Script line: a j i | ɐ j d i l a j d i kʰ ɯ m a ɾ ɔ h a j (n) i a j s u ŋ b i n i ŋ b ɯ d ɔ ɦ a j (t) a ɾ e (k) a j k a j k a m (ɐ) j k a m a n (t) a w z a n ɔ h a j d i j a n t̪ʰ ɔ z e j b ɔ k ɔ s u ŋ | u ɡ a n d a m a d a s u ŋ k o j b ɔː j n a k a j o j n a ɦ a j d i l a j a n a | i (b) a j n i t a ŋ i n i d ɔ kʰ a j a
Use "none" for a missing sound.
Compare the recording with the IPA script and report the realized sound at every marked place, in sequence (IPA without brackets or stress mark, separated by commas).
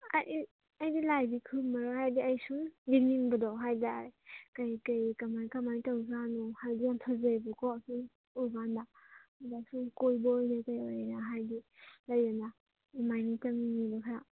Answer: d, d, k, a, t, m